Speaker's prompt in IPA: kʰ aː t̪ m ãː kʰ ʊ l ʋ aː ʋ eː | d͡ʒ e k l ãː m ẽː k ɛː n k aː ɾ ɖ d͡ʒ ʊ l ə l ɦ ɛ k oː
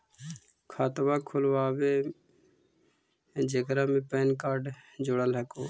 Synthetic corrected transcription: kʰ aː t̪ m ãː kʰ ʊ l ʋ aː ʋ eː | d͡ʒ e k ɾ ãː m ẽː p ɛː n k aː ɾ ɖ d͡ʒ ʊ ɽ ə l ɦ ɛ k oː